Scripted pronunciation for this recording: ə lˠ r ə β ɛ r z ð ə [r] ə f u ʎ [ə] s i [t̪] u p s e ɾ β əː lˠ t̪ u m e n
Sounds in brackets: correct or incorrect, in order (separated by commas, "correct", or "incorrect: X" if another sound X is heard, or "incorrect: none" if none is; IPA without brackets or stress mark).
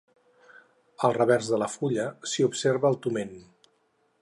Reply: incorrect: l, correct, incorrect: none